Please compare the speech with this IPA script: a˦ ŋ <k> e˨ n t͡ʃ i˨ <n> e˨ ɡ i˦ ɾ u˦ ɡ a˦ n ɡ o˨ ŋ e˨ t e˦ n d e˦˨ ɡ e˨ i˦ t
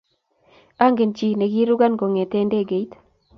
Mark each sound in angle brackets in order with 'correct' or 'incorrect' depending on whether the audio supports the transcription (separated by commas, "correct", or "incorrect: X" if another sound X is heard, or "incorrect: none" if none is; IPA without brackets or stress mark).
incorrect: ɡ, correct